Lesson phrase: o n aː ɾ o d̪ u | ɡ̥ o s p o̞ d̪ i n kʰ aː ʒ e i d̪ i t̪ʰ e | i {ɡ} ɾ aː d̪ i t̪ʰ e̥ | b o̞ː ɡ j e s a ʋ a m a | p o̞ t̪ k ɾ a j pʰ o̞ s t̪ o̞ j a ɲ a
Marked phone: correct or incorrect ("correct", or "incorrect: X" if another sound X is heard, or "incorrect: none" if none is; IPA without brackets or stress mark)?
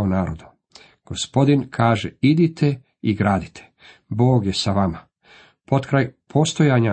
correct